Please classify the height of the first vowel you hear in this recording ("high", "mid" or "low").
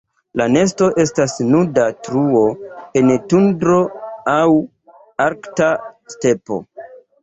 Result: low